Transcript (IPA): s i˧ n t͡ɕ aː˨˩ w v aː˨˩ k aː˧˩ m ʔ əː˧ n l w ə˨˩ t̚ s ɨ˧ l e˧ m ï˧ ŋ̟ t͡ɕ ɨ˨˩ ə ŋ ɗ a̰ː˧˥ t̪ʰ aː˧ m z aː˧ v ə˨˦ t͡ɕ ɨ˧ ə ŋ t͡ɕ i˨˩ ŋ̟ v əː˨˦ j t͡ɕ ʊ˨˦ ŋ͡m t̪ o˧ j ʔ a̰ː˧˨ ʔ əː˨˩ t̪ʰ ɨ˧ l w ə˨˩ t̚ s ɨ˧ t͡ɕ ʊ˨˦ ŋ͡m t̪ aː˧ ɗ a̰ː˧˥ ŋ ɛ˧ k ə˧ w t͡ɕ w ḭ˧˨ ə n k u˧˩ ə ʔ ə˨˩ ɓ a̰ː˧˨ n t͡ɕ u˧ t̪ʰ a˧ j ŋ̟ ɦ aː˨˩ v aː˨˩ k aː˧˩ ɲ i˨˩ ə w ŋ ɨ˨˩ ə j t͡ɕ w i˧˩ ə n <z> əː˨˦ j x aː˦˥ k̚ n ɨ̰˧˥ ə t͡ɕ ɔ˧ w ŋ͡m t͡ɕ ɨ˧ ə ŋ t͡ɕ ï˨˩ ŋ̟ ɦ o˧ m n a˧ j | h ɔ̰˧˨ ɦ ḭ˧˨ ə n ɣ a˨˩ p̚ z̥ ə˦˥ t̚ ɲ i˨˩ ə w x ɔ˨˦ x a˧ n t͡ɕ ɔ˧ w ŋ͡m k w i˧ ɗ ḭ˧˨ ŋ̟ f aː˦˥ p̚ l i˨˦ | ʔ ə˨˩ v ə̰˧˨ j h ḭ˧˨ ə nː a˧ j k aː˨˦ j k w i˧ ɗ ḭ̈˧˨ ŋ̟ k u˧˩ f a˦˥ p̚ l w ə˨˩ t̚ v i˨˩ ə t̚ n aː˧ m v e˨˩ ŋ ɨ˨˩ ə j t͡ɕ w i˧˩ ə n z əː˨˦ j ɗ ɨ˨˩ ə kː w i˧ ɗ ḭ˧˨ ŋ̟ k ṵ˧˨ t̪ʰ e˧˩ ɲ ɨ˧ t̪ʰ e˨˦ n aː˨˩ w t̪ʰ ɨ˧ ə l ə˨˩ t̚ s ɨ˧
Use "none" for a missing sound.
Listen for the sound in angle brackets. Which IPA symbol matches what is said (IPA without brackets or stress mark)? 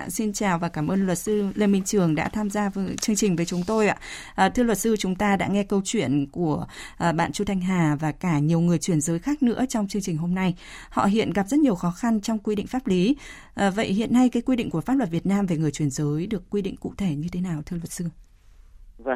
z